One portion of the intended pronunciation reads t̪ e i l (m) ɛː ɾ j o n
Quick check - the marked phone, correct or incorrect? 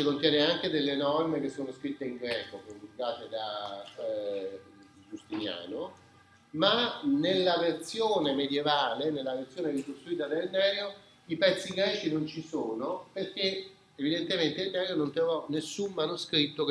incorrect